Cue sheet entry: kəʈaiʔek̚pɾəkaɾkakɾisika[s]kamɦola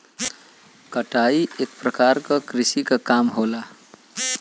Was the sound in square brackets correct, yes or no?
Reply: no